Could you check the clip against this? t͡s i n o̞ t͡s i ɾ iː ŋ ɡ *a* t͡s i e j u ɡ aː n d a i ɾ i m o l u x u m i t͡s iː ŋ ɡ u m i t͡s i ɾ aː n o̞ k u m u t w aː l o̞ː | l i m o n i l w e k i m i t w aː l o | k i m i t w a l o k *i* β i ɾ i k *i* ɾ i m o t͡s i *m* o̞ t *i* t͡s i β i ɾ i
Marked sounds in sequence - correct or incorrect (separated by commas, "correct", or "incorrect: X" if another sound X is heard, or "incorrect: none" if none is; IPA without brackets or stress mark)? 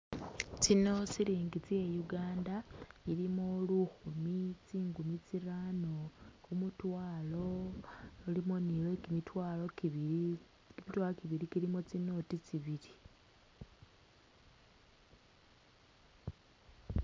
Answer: incorrect: i, correct, correct, incorrect: n, correct